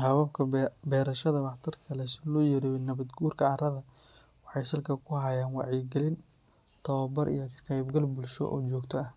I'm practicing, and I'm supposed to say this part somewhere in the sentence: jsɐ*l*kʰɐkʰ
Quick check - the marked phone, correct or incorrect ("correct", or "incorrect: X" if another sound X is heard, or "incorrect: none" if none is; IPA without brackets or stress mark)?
correct